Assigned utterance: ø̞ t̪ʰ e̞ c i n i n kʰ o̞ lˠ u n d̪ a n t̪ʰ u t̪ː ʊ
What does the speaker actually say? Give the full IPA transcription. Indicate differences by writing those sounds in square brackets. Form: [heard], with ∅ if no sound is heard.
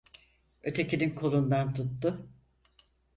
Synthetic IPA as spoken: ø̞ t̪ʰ e̞ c i n i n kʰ o̞ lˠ u n d̪ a n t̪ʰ u t̪ː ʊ